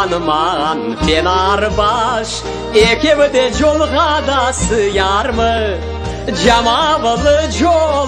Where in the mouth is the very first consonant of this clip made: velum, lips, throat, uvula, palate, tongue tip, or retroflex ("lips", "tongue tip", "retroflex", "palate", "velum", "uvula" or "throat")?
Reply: tongue tip